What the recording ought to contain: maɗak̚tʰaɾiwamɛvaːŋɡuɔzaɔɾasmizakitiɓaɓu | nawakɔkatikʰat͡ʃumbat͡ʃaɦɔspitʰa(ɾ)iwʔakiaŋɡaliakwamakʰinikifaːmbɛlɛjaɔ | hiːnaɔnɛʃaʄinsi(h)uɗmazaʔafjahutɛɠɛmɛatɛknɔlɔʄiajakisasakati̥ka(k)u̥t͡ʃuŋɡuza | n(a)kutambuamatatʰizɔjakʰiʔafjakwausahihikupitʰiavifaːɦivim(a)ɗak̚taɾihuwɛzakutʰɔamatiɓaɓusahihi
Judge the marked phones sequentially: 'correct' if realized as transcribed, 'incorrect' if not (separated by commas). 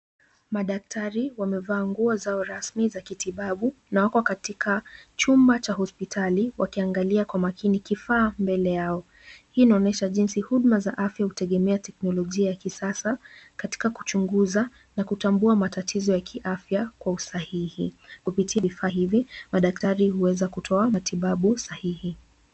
incorrect, correct, correct, correct, correct